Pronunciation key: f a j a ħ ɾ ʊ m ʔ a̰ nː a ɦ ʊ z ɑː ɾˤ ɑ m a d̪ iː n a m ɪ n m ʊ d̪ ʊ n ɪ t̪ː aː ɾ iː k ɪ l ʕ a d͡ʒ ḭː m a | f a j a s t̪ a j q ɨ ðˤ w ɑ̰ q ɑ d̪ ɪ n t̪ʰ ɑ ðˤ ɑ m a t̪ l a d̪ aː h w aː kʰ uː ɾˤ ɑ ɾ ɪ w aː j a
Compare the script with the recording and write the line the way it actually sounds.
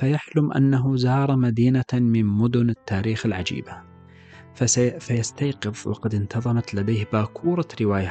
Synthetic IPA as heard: f a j a ħ l ʊ m ʔ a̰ nː a ɦ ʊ z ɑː ɾˤ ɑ m a d̪ iː n a m ɪ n m ʊ d̪ ʊ n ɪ t̪ː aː ɾ iː x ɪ l ʕ a d͡ʒ ḭː b a | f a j a s t̪ a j q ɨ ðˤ w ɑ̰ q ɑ d̪ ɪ n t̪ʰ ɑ ðˤ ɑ m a t̪ l a d̪ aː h b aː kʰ uː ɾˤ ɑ ɾ ɪ w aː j a